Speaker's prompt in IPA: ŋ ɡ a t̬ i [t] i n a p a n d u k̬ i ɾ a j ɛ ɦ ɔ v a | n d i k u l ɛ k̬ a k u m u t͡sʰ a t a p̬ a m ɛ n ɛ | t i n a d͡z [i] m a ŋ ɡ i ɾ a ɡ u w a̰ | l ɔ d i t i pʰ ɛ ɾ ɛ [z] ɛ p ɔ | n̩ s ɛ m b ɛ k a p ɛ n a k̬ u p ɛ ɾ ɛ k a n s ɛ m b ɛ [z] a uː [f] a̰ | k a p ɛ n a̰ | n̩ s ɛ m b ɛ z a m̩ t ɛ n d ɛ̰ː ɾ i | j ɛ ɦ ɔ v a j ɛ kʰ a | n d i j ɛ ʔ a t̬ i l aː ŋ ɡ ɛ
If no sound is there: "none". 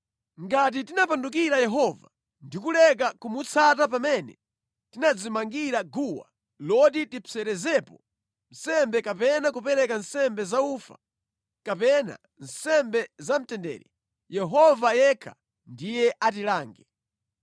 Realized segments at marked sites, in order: t, i, z, z, f

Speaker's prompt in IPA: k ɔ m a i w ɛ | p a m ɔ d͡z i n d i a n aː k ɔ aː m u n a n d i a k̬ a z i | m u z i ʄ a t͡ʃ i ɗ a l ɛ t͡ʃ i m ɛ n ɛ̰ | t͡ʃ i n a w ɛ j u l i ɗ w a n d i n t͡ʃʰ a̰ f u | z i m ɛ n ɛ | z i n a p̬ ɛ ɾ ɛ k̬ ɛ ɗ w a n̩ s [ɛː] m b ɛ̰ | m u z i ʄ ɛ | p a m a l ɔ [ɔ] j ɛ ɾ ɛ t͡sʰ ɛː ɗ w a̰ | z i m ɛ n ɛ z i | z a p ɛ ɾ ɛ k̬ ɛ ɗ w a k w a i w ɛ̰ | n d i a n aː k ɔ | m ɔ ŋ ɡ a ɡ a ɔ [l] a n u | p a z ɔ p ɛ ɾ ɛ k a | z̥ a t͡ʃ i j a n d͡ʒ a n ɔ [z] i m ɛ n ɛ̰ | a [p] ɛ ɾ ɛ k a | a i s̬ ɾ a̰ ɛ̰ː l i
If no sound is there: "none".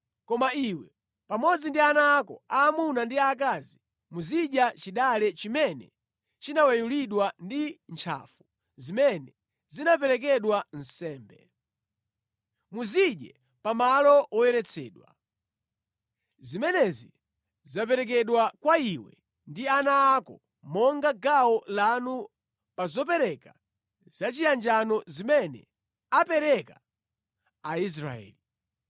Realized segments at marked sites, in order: ɛː, ɔ, l, z, p

